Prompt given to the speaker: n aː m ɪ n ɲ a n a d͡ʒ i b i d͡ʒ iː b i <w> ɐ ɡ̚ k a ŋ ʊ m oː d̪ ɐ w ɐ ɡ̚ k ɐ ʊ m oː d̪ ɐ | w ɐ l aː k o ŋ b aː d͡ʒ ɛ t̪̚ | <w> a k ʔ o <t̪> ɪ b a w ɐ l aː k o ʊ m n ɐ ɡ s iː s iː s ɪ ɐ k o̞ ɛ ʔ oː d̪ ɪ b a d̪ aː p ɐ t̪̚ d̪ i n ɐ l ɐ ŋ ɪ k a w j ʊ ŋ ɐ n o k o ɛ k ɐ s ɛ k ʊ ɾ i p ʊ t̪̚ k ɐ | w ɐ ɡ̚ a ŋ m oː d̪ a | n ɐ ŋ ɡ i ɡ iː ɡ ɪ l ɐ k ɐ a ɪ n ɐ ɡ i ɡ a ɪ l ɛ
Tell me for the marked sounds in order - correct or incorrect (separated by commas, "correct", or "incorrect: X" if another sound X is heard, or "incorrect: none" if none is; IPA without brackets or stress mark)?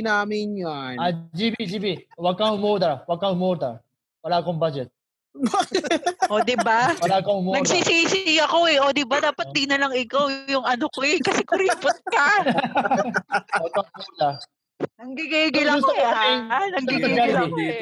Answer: correct, incorrect: b, incorrect: d̪